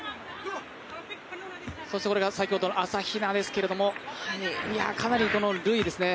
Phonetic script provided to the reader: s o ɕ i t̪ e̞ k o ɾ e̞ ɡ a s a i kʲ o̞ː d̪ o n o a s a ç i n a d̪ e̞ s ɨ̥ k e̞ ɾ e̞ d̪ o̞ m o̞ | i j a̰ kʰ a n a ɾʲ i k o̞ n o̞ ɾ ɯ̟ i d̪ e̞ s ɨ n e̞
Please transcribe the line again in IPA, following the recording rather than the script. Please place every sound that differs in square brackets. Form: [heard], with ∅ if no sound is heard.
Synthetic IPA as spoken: s o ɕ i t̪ e̞ k o ɾ e̞ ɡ a s a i kʲ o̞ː d̪ o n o a s a ç i n a d̪ e̞ s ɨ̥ k e̞ ɾ e̞ d̪ o̞ m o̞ | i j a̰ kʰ a n a ɾʲ i k o̞ n o̞ ɾ ɯ̟ i d̪ e̞ s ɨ n e̞